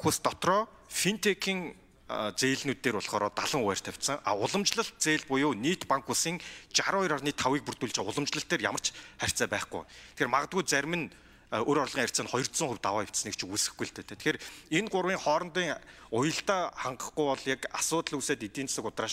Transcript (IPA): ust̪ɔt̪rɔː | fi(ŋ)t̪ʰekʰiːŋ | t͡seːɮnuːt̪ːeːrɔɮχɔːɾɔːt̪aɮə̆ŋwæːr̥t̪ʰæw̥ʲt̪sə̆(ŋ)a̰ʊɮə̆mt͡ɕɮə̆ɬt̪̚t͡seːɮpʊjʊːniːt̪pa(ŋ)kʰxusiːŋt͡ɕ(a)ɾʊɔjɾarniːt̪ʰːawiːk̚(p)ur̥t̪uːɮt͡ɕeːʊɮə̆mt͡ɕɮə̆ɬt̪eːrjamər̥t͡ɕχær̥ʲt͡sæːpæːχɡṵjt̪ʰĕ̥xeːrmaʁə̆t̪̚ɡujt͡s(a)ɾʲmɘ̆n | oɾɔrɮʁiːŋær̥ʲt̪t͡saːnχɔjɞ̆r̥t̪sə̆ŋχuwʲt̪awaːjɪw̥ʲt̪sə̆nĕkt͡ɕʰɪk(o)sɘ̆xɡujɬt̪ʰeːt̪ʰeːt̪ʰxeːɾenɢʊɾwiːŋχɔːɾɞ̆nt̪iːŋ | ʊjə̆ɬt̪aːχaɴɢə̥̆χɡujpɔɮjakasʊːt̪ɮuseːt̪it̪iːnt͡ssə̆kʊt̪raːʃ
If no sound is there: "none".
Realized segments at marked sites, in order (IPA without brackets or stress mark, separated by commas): n, ŋ, ŋ, a, p, æ, u